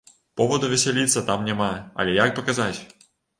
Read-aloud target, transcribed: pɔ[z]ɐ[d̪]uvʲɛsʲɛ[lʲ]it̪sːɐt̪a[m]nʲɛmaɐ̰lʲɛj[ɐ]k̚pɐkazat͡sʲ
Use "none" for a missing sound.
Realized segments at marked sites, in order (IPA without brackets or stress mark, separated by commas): v, d̪, lʲ, m, a